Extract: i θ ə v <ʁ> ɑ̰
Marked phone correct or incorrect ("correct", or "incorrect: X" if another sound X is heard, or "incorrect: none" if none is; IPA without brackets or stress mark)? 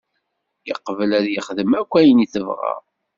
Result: correct